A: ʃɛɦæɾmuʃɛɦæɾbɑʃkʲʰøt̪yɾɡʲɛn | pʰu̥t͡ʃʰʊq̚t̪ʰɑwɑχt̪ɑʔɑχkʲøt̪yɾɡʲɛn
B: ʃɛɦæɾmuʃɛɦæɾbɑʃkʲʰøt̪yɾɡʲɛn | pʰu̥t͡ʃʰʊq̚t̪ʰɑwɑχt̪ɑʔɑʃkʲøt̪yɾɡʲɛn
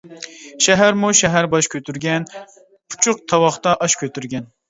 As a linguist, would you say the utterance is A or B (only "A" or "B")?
B